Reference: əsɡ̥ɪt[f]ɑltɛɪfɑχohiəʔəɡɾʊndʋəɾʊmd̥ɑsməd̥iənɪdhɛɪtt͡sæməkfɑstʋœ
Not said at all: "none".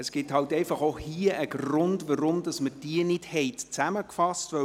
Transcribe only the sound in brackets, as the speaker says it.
h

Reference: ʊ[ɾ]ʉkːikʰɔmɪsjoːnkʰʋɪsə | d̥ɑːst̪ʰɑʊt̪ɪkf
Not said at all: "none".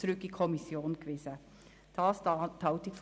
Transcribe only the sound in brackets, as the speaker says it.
ɾ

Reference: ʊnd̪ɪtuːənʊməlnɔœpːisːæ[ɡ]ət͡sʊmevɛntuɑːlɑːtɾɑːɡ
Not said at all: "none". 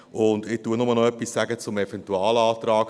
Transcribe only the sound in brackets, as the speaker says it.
ɡ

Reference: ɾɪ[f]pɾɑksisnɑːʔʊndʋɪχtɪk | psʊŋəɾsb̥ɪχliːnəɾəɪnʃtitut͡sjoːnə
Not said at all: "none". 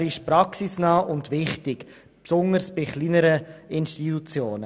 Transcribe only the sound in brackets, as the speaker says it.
ʃ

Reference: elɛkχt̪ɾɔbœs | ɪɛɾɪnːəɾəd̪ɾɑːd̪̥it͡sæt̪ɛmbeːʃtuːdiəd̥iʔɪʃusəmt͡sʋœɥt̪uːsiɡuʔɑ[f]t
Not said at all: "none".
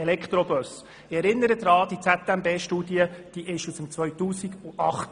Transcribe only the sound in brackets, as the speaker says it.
χ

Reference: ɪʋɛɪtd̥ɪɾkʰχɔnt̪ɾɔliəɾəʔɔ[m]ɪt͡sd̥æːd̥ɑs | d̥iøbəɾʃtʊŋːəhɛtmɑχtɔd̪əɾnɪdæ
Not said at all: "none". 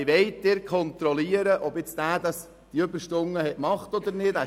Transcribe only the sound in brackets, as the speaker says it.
b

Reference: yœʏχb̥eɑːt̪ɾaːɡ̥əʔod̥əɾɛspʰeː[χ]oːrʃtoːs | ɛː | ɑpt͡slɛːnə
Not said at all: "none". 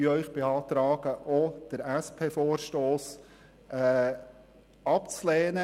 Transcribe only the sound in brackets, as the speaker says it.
f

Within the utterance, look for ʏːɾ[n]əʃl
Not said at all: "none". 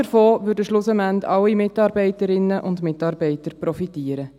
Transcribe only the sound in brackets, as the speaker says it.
d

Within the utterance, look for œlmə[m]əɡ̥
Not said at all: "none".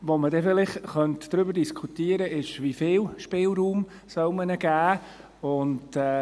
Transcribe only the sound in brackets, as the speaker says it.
n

